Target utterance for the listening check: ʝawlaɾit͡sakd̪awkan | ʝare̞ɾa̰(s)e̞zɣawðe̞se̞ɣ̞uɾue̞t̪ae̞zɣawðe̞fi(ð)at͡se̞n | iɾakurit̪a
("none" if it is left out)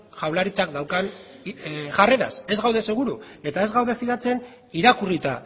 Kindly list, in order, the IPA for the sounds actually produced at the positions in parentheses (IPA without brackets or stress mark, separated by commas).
s, ð